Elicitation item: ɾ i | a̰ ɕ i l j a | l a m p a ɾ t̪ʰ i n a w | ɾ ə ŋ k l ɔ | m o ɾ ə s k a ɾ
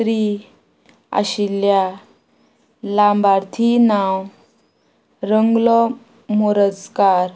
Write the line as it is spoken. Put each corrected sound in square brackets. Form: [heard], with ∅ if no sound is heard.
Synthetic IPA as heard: ɾ i | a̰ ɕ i l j a | l a m [b] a ɾ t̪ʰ i n a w | ɾ ə ŋ [ɡ] l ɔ | m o ɾ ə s k a ɾ